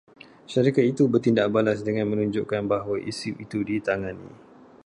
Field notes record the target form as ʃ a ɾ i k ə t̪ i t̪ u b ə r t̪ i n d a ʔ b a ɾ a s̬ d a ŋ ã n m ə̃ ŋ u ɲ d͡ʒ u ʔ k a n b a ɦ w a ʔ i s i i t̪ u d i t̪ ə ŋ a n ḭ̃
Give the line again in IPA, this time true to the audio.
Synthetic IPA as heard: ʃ a ɾ i k a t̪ i t̪ u b ə r t̪ i n d a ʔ b a l a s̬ d ə ŋ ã n m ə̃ n u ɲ d͡ʒ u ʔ k a n b a ɦ w a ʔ i s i i t̪ u d i t̪ a ŋ a n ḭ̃